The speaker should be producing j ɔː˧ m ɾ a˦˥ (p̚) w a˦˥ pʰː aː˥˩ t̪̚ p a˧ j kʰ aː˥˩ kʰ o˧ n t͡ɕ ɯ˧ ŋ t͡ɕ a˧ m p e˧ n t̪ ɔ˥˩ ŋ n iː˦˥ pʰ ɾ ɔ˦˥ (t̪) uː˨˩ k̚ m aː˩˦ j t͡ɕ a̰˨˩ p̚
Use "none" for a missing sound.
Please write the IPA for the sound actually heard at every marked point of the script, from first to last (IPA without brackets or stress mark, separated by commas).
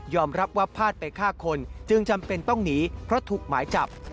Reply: p̚, t̪ʰ